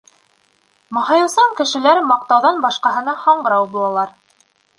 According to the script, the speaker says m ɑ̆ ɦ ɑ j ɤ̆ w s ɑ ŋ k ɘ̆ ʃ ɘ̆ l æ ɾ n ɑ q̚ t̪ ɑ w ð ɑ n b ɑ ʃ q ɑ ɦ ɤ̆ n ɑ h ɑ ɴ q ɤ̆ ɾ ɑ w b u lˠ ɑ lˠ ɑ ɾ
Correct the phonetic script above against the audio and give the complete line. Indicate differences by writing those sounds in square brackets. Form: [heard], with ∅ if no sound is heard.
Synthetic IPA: m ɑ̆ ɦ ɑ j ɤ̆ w s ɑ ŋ k ɘ̆ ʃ ɘ̆ l æ ɾ [m] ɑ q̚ t̪ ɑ w ð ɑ n b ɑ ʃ q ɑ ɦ ɤ̆ n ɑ h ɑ ɴ [ɢ] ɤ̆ ɾ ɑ w b u lˠ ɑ lˠ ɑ ɾ